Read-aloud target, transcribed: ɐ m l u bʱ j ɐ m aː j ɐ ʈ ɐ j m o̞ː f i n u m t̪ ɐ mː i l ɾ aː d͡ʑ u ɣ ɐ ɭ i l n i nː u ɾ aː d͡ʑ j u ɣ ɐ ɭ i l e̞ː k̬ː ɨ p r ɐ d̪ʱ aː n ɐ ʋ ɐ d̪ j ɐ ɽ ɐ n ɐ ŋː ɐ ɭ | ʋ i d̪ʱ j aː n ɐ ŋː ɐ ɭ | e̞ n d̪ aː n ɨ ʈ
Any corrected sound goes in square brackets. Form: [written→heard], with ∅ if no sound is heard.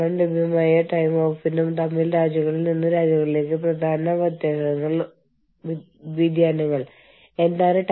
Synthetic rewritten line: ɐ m l u bʱ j ɐ m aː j ɐ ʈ ɐ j m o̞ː f i n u m t̪ ɐ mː i l ɾ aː d͡ʑ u ɣ ɐ ɭ i l n i nː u ɾ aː d͡ʑ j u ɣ ɐ ɭ i l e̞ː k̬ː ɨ p r ɐ d̪ʱ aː n ɐ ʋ ɐ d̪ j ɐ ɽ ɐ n ɐ ŋː ɐ ɭ | ʋ i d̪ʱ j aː n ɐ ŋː ɐ ɭ | e̞ n d̪ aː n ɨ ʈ